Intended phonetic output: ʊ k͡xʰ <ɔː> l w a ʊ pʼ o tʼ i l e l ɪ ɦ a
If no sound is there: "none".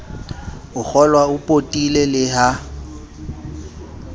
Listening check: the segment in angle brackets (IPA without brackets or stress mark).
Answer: ɔ